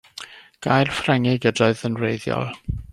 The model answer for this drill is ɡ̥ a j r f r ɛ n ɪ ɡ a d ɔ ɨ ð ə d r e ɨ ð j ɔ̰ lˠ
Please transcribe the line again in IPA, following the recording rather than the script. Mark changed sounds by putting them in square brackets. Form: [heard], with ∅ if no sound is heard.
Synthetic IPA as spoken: ɡ̥ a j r f r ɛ [ŋ] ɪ ɡ [ə] d ɔ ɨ ð ə [n] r e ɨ ð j ɔ̰ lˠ